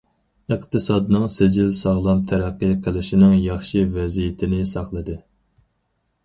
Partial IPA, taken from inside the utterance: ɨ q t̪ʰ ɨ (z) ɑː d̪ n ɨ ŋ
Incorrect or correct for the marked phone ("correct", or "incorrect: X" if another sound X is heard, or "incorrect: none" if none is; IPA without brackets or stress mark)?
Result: incorrect: s